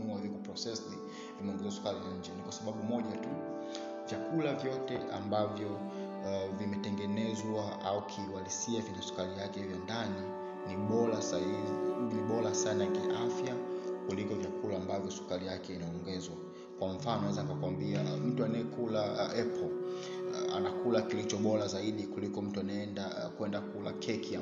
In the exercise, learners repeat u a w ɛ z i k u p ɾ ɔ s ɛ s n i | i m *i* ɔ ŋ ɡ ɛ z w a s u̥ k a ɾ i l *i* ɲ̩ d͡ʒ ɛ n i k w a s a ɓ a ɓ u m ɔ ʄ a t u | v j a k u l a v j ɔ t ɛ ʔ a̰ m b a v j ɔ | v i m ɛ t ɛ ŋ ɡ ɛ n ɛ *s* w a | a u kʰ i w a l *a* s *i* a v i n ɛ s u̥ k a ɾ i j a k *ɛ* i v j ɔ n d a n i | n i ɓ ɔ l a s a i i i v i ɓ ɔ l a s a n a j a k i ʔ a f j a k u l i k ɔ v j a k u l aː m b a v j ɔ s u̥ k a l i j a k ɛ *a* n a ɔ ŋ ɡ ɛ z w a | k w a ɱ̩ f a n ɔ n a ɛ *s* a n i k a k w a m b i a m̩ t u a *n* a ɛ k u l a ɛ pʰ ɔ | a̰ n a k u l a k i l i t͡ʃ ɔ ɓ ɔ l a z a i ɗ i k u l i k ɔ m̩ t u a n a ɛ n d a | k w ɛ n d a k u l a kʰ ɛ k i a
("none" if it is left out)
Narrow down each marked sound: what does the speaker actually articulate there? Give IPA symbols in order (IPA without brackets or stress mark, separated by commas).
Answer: ɛ, a, z, i, i, ɛ, i, z, n